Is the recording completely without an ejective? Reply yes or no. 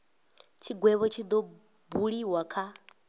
yes